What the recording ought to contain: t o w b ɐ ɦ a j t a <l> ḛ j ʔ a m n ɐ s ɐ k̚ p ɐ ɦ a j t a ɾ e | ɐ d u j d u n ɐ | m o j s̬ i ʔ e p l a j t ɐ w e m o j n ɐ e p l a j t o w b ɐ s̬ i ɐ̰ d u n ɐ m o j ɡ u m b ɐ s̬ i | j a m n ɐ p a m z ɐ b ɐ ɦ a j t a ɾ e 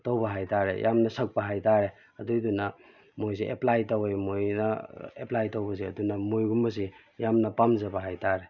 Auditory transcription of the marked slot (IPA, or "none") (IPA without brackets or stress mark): ɾ